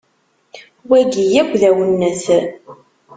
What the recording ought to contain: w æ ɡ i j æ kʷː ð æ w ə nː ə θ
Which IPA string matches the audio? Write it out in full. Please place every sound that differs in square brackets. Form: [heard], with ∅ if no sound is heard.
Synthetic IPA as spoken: w æ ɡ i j æ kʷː ð æ w ə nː ə θ